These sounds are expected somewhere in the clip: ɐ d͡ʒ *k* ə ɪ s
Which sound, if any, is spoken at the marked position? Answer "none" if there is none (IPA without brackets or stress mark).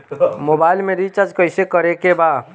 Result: k